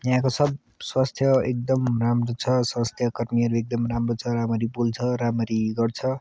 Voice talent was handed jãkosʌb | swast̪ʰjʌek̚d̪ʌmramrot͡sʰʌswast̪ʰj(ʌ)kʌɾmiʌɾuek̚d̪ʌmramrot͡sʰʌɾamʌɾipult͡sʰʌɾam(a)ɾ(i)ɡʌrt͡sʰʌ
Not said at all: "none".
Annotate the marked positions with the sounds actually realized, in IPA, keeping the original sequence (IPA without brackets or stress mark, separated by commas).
ʌ, ʌ, i